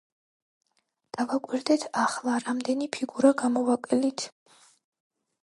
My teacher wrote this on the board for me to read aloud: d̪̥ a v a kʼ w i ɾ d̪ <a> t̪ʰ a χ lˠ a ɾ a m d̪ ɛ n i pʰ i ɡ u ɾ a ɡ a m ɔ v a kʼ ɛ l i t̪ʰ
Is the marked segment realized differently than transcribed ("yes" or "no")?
yes